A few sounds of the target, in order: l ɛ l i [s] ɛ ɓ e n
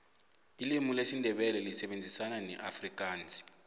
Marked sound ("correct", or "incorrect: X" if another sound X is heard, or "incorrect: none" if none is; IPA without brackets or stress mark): correct